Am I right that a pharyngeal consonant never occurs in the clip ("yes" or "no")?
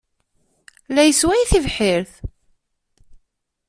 no